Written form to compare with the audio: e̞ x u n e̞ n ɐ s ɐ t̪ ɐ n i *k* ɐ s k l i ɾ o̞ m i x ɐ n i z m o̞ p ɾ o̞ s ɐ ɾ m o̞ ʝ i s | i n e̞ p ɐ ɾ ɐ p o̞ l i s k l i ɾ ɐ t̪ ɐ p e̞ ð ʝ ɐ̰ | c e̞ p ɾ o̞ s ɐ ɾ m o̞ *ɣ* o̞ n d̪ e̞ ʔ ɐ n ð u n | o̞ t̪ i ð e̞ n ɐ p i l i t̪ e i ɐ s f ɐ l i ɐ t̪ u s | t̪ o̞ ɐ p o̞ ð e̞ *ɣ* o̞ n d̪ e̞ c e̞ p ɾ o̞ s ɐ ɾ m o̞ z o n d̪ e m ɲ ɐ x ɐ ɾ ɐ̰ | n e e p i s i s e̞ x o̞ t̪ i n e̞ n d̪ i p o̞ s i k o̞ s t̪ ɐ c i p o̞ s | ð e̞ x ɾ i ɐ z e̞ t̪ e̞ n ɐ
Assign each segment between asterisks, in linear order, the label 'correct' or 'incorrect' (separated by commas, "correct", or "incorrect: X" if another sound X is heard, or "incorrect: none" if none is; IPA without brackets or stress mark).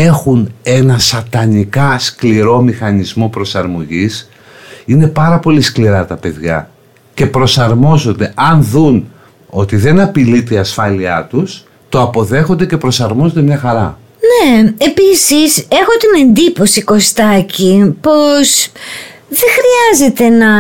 correct, incorrect: z, incorrect: x